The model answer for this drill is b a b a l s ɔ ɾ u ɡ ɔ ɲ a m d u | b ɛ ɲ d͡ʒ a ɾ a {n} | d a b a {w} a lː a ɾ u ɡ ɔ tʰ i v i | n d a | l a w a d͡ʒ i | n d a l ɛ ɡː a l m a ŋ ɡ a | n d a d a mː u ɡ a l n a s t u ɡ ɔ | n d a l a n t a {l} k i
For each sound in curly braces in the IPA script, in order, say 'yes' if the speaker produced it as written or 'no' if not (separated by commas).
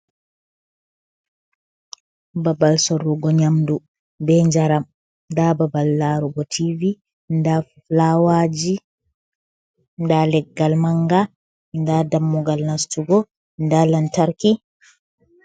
no, no, no